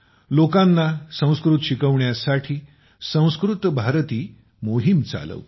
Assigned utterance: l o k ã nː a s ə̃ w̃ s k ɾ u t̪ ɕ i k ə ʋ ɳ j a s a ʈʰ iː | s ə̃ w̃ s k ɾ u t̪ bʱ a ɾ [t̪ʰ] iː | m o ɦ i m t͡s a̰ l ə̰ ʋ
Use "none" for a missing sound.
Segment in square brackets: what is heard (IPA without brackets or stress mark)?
t̪